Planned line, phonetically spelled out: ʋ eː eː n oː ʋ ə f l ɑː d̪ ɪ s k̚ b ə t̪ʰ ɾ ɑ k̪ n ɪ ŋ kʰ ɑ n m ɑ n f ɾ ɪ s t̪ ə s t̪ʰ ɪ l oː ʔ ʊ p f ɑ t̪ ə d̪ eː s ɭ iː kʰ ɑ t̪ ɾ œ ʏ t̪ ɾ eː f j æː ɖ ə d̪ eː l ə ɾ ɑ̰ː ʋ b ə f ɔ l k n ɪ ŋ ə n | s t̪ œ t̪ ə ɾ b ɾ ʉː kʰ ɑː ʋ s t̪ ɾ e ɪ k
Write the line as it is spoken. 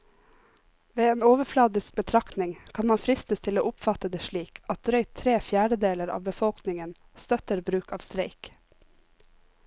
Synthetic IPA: ʋ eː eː n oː ʋ ə f l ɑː d̪ ɪ s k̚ b ə t̪ʰ ɾ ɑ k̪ n ɪ ŋ kʰ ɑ n m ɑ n f ɾ ɪ s t̪ ə s t̪ʰ ɪ l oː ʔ ʊ p f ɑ t̪ ə d̪ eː ʃ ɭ iː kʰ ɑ t̪ ɾ œ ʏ t̪ʰ ɾ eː f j æː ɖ ə d̪ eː l ə ɾ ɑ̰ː ʋ b ə f ɔ l k n ɪ ŋ ə n | s t̪ œ t̪ ə ɾ b ɾ ʉː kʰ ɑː ʋ s t̪ ɾ e ɪ k